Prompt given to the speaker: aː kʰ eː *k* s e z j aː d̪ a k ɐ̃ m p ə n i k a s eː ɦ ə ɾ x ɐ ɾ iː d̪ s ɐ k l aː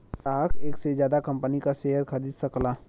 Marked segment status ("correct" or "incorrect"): correct